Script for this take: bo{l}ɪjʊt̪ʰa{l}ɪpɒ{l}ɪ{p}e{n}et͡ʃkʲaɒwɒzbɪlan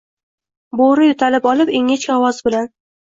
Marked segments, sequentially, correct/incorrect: incorrect, correct, correct, correct, incorrect

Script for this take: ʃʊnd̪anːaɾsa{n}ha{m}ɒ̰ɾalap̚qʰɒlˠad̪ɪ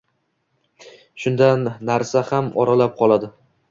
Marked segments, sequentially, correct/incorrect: incorrect, correct

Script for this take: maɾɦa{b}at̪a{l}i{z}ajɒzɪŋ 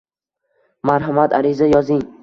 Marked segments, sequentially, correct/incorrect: incorrect, incorrect, correct

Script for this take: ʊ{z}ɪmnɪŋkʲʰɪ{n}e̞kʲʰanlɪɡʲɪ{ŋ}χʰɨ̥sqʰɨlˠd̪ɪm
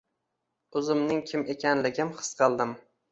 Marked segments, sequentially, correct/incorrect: correct, incorrect, incorrect

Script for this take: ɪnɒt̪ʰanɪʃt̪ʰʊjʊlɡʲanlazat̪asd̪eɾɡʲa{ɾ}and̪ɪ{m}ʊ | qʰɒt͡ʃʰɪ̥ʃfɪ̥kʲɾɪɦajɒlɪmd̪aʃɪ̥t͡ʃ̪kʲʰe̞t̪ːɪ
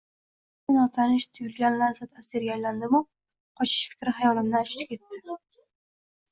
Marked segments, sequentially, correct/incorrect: incorrect, correct

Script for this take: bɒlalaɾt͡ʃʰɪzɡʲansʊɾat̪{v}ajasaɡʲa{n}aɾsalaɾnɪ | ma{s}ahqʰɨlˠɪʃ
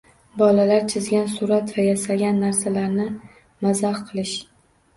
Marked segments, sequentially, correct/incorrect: correct, incorrect, incorrect

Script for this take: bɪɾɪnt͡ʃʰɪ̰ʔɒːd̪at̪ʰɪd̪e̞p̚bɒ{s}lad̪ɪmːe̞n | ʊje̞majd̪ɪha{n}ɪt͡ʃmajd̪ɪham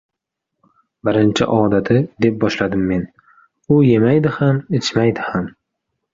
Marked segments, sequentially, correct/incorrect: incorrect, incorrect

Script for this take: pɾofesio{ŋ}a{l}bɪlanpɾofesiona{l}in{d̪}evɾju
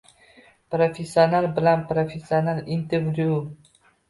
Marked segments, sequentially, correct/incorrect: incorrect, correct, correct, incorrect

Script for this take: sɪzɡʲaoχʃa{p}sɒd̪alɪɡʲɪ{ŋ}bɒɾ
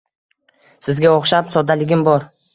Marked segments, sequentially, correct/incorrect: correct, incorrect

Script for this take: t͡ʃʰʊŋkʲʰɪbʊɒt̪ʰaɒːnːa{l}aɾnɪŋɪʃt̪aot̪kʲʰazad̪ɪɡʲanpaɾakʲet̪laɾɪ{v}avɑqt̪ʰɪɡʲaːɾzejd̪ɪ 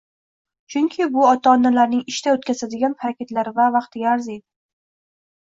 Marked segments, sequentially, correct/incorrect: correct, correct

